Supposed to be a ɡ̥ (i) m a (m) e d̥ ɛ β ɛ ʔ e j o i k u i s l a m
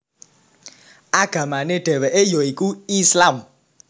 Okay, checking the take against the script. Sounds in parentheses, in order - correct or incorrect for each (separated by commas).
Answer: incorrect, incorrect